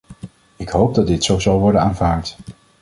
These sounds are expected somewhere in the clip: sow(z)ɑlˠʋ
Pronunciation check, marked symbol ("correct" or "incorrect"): correct